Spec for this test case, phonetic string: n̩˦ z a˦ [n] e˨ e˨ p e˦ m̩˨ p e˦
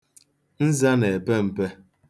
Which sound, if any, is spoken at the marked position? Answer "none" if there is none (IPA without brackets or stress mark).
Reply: n